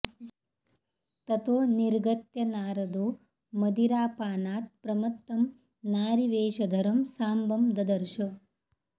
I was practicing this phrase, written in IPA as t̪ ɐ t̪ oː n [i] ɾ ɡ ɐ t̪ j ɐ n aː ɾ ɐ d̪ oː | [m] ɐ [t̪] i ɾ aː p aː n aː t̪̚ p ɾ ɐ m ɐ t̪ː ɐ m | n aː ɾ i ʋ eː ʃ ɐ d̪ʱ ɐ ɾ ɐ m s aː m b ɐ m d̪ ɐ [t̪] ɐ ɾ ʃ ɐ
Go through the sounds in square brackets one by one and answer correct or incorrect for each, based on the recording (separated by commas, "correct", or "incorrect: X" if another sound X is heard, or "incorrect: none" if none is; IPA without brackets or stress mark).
correct, correct, incorrect: d̪, incorrect: d̪